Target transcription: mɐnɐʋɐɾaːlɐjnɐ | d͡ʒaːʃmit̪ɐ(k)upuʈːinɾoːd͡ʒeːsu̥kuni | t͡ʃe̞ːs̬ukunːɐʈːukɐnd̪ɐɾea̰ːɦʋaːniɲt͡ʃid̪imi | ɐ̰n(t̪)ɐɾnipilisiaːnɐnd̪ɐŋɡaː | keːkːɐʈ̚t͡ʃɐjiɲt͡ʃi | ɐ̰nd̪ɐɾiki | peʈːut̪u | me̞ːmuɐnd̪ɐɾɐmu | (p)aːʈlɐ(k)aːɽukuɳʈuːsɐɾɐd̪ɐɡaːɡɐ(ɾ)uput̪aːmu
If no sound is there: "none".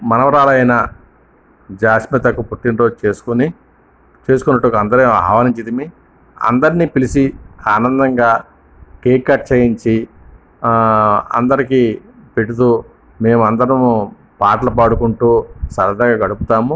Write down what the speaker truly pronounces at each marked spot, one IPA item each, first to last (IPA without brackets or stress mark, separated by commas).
k, d̪, p, p, ɽ